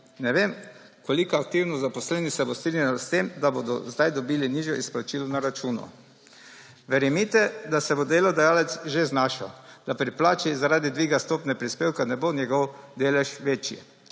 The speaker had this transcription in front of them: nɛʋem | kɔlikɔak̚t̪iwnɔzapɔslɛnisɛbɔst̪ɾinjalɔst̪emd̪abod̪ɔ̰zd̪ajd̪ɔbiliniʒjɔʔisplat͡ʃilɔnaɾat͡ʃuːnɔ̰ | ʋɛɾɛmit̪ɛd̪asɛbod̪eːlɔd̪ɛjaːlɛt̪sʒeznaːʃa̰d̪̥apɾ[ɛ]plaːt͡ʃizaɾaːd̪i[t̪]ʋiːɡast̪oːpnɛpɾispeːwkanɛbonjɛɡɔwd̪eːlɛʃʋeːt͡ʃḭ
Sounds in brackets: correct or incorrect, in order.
incorrect: i, incorrect: d̪

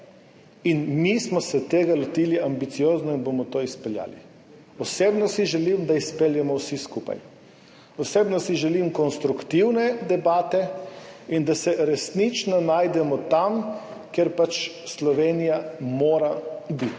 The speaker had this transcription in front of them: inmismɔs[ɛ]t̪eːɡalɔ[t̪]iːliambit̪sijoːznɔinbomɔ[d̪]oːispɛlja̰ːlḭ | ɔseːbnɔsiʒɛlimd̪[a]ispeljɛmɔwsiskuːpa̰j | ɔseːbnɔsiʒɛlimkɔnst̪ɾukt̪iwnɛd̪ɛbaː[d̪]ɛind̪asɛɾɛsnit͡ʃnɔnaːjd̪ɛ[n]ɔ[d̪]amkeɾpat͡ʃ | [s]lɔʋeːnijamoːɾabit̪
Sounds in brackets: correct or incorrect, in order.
correct, correct, incorrect: t̪, correct, incorrect: t̪, incorrect: m, incorrect: t̪, correct

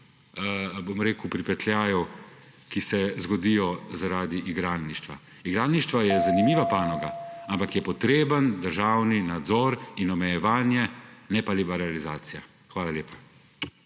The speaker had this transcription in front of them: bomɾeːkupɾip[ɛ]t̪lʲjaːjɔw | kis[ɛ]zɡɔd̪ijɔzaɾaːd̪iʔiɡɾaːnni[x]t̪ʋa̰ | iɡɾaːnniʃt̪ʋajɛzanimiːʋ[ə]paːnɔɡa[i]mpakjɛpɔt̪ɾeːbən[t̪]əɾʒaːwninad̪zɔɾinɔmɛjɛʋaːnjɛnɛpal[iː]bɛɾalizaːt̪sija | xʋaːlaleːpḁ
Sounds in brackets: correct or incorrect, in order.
correct, correct, incorrect: ʃ, incorrect: a, incorrect: a, incorrect: d̪, incorrect: i

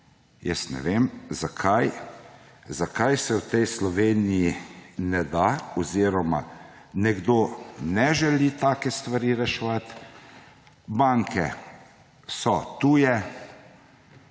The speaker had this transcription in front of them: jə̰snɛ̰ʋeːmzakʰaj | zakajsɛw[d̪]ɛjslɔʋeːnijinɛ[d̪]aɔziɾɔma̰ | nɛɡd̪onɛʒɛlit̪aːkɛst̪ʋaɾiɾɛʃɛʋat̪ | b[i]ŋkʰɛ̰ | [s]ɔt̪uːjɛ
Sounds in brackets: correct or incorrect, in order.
incorrect: t̪, correct, incorrect: a, correct

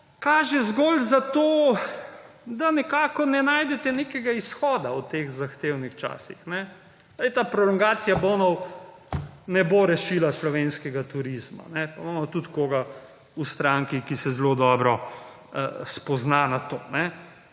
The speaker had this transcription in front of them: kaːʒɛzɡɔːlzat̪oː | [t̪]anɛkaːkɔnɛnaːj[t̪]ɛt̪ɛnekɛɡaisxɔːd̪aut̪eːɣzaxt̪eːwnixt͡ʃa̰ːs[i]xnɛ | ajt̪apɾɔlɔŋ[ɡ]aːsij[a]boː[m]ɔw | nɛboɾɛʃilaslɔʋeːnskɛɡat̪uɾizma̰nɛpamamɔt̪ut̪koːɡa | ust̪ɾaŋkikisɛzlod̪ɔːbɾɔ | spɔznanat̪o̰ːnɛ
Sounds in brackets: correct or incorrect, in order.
incorrect: d̪, incorrect: d̪, correct, correct, correct, incorrect: n

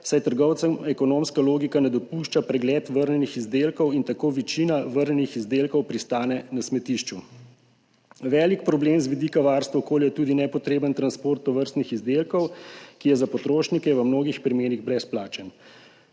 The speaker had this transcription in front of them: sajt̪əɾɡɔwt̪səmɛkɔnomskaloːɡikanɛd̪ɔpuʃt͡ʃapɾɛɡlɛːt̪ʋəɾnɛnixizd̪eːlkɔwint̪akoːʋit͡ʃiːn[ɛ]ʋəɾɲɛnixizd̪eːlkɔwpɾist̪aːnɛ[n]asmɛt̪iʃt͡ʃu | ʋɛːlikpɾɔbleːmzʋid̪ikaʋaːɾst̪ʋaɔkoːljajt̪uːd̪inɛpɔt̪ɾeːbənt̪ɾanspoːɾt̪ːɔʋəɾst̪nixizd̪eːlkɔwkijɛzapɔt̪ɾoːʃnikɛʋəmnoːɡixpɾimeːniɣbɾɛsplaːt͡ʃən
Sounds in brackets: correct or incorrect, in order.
incorrect: a, correct

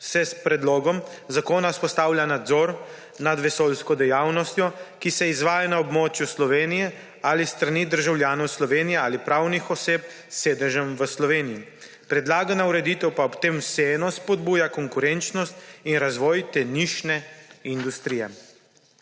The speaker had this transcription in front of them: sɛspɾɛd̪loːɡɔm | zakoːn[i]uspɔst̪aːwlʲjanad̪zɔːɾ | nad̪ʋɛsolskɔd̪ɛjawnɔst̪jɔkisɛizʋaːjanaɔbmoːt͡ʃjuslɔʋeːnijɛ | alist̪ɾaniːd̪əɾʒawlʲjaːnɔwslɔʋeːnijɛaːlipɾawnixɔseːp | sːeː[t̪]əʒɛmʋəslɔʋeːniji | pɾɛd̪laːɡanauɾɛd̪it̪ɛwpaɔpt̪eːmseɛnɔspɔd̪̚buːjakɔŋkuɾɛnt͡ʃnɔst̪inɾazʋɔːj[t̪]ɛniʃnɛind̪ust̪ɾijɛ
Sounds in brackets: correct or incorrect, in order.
incorrect: a, incorrect: d̪, correct

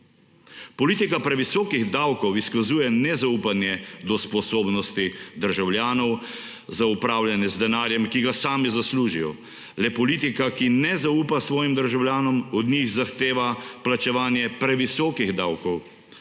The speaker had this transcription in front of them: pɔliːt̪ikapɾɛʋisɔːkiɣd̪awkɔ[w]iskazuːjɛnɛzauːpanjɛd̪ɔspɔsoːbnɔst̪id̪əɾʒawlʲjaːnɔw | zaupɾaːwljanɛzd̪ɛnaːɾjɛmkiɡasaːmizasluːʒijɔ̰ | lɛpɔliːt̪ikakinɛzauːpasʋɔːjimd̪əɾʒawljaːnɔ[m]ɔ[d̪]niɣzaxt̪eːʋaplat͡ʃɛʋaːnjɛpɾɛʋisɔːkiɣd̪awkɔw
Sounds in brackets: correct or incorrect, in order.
correct, correct, correct

